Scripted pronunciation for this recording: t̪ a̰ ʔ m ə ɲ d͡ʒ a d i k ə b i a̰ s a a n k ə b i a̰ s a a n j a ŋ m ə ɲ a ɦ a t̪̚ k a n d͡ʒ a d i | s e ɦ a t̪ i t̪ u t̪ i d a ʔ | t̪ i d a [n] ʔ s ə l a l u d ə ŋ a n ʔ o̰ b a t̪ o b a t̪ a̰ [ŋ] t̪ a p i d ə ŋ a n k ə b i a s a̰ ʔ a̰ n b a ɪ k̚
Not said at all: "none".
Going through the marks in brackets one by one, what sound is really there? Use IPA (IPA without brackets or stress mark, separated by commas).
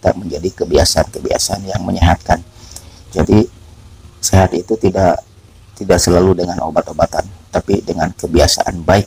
none, n